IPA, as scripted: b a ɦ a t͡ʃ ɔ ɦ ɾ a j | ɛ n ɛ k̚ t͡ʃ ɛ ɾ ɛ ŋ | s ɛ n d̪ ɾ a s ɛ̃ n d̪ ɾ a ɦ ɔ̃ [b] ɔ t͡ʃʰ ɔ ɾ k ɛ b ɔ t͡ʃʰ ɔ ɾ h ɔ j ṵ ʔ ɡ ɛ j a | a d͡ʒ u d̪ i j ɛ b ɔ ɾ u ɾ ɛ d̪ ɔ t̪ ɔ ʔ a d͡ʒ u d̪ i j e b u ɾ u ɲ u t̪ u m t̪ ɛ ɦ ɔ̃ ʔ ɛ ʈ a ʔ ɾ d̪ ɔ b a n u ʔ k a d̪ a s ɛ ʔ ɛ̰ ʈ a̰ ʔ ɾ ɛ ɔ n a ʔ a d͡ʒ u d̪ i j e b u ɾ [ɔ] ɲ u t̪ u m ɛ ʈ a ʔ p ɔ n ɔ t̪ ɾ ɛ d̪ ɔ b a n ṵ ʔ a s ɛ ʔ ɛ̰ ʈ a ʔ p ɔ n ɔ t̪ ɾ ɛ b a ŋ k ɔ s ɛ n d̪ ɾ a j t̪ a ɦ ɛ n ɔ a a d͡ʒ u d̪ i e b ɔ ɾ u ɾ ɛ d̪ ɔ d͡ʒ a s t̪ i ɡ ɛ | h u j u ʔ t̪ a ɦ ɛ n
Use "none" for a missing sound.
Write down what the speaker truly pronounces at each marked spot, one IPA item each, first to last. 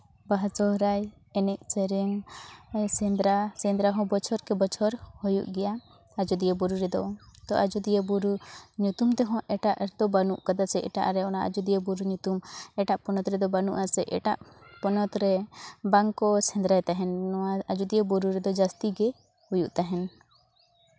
b, u

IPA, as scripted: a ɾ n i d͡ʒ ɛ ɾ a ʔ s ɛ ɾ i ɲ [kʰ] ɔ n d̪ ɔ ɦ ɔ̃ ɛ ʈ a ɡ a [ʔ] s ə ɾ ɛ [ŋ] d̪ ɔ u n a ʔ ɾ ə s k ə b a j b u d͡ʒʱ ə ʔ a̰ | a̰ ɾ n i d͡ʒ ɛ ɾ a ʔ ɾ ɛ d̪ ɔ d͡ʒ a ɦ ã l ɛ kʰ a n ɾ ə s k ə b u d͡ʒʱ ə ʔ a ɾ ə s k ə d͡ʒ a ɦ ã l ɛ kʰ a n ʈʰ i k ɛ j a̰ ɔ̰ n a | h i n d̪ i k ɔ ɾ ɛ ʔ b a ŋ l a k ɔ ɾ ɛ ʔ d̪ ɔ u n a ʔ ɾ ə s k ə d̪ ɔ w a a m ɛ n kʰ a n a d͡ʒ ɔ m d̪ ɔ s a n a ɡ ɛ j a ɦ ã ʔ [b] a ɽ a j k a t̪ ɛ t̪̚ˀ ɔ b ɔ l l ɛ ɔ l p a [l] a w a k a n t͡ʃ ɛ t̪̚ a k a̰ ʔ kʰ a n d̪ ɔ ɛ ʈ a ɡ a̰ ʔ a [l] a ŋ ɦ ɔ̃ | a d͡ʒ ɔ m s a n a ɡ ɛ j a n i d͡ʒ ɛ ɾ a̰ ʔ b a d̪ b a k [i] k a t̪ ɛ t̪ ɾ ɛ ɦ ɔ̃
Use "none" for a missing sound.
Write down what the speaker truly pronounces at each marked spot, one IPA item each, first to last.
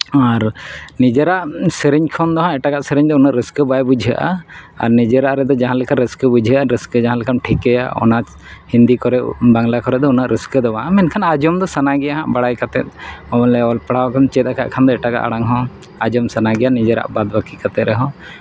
kʰ, ʔ, ɲ, b, ɽ, ɽ, i

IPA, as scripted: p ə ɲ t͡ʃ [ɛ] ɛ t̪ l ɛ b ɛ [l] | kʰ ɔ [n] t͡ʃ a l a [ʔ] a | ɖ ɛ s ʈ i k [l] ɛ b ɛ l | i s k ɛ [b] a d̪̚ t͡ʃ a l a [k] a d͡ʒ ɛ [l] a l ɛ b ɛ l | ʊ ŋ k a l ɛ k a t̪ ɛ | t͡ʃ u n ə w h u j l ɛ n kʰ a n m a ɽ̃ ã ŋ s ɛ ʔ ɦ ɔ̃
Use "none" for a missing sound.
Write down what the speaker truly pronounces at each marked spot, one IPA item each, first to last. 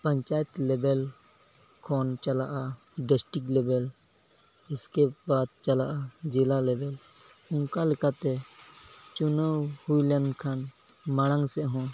a, l, n, ʔ, l, b, ʔ, l

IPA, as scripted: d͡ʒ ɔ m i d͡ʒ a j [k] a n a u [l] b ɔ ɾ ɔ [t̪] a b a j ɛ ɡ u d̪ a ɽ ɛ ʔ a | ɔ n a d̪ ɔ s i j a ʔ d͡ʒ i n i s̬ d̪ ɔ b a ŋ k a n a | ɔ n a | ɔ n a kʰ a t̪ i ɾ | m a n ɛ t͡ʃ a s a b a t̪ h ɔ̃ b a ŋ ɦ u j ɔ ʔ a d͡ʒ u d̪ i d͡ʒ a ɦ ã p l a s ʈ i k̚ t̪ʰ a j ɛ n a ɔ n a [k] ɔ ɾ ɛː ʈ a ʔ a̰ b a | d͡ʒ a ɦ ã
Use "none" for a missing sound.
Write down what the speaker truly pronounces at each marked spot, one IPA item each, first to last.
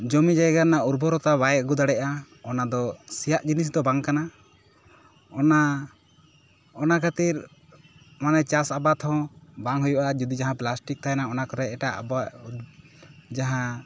ɡ, ɾ, t̪, k

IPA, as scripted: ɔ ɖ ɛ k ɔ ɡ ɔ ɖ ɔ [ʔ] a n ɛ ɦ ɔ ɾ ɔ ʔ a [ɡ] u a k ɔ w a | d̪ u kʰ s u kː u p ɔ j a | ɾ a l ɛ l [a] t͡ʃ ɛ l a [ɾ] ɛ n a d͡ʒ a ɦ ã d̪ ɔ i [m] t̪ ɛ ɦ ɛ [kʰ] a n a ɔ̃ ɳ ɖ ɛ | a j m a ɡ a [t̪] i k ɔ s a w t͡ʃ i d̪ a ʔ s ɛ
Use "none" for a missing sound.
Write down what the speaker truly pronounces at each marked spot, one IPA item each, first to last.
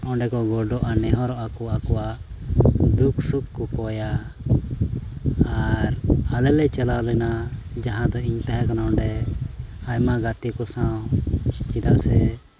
ʔ, k, ɛ, l, ɲ, k, t̪

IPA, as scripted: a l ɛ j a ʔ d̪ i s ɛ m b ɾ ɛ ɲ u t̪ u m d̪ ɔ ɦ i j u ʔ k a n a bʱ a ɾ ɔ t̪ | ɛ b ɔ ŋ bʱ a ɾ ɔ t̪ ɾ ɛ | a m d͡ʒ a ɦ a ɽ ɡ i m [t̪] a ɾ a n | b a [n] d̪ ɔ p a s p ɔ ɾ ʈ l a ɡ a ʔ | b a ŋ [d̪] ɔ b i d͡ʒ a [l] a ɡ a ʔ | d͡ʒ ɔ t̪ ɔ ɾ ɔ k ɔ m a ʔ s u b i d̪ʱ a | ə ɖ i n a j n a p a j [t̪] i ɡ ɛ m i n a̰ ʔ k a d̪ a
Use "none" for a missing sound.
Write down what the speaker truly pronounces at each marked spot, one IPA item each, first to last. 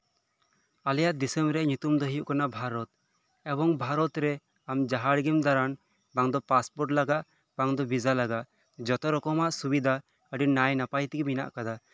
d̪, ŋ, d̪, l, t̪

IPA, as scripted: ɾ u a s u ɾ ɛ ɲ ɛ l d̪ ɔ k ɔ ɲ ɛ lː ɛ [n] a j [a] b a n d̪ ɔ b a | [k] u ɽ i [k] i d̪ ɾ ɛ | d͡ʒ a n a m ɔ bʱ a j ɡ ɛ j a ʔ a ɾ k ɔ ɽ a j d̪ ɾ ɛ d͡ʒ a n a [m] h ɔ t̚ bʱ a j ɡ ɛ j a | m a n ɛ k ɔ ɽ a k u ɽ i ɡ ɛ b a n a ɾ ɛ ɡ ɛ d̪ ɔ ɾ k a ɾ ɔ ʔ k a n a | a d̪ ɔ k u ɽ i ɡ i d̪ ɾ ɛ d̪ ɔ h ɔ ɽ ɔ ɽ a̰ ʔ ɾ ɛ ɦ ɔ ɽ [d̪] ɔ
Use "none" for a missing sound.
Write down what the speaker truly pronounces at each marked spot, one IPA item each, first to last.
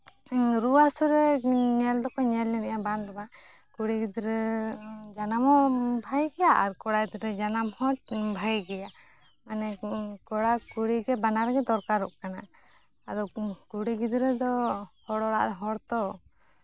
n, a, k, ɡ, m, t̪

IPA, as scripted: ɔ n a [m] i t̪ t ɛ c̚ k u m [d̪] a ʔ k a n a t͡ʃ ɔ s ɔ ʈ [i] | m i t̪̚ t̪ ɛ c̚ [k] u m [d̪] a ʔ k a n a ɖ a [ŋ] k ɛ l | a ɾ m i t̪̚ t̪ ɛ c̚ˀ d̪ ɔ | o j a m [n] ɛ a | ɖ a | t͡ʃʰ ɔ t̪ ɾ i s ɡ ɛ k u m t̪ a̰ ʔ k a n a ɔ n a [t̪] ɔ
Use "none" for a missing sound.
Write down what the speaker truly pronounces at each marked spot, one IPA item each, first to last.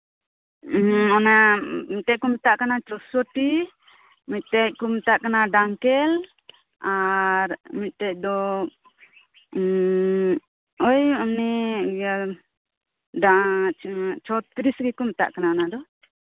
m, t̪, i, k, t̪, ŋ, n, d̪

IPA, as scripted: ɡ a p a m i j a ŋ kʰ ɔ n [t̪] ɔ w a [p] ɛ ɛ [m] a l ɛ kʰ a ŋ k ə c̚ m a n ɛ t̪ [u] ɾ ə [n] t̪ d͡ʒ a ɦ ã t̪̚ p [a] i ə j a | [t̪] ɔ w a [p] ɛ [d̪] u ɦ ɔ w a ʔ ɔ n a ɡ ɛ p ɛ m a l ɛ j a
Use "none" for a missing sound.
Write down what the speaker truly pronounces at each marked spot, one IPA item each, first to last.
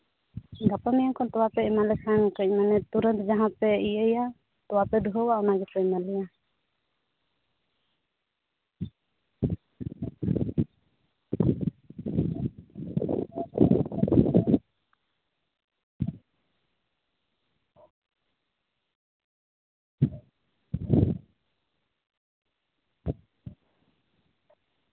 t̪, p, m, u, n, ɛ, t̪, p, d̪

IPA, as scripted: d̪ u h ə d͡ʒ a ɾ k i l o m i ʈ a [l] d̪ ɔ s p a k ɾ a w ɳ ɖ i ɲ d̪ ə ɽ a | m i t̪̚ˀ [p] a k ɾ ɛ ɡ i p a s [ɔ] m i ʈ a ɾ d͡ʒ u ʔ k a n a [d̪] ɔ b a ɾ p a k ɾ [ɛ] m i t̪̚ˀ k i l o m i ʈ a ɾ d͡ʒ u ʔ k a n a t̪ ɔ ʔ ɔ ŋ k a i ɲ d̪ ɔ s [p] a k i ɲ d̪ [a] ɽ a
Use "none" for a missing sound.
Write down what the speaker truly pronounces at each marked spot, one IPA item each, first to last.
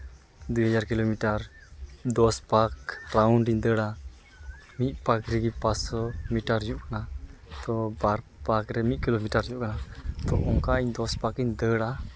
ɾ, p, ɔ, t̪, ɛ, p, ə

